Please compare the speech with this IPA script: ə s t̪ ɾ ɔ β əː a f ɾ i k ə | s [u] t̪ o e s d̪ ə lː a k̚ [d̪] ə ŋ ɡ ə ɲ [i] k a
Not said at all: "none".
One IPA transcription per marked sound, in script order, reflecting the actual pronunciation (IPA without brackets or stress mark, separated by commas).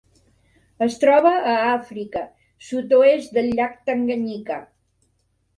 u, t̪, i